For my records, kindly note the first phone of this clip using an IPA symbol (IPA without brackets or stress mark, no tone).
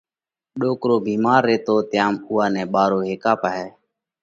ɗ